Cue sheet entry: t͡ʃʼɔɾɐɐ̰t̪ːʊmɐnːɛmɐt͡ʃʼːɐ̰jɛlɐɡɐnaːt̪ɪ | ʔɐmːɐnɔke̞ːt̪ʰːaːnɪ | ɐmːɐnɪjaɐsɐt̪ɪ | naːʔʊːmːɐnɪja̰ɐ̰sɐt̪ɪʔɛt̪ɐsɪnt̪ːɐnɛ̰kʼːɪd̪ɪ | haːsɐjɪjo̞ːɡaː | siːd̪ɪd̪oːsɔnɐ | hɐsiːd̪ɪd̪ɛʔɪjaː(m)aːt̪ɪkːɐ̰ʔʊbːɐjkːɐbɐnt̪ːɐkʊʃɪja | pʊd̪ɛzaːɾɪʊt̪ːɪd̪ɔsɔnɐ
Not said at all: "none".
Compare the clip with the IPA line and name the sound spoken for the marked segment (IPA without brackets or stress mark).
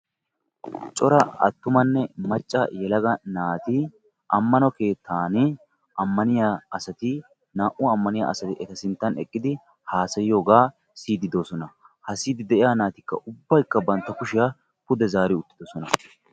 n